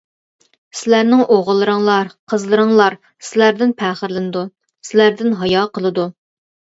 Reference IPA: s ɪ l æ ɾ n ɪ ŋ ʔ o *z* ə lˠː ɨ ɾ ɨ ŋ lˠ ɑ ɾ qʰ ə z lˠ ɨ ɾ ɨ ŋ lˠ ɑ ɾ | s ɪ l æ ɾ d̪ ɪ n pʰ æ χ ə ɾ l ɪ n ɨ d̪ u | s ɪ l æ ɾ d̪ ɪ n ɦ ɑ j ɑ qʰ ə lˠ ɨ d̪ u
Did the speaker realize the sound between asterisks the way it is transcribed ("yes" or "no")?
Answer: no